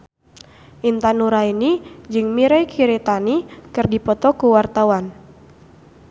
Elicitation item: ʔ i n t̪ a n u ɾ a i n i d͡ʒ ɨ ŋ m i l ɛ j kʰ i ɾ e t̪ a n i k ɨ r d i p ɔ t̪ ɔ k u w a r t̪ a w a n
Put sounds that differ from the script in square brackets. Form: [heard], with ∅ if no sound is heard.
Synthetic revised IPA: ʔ i n t̪ a n u ɾ a i n i d͡ʒ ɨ ŋ m i [ɾ] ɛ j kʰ i ɾ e t̪ a n i k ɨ r d i p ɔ t̪ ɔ k u w a r t̪ a w a n